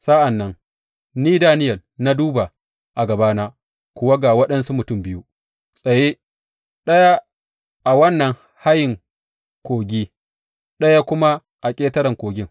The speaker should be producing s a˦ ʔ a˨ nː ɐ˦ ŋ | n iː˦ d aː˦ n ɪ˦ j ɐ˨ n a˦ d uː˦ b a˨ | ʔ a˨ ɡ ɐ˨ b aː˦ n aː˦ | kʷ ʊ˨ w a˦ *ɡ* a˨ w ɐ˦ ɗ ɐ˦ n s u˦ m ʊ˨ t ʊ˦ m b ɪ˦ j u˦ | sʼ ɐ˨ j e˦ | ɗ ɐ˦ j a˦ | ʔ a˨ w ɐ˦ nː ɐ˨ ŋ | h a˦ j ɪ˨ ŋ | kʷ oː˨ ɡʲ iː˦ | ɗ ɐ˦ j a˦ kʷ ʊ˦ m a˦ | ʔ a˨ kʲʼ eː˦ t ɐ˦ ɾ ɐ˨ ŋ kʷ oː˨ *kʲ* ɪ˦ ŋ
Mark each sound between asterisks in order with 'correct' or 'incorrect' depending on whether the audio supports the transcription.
correct, incorrect: ɡʲ

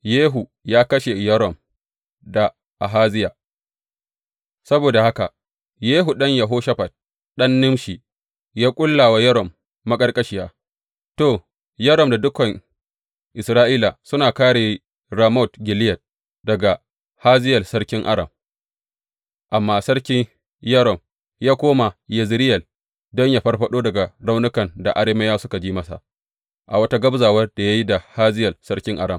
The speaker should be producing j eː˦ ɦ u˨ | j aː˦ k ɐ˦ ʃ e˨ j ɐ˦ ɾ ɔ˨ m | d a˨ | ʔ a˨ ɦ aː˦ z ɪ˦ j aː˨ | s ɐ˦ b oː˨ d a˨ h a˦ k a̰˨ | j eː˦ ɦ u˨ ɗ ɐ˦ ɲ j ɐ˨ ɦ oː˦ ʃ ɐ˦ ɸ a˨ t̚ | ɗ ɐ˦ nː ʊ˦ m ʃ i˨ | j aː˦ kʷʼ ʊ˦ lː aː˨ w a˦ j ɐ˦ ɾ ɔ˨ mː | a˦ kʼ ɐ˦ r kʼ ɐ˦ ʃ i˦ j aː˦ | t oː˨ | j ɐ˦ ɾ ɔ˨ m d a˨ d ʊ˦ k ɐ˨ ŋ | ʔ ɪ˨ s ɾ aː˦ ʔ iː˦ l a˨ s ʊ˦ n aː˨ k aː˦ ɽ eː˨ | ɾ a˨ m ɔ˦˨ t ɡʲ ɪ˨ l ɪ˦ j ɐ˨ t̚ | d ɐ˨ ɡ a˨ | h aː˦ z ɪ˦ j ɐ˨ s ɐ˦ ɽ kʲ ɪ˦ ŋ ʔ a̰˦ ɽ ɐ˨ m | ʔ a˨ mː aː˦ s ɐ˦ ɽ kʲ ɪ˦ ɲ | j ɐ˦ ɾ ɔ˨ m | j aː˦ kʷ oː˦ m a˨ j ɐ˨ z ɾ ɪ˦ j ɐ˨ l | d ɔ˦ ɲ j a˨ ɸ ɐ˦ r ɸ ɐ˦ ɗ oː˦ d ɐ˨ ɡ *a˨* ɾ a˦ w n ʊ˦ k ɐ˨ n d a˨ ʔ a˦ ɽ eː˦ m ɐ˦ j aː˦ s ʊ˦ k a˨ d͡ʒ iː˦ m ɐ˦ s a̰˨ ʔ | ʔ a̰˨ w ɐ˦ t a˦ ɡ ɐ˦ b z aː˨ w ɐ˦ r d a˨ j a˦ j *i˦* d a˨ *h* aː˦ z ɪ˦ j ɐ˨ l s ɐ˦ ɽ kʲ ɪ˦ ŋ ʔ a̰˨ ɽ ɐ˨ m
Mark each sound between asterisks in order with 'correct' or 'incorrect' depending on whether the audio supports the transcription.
correct, correct, correct

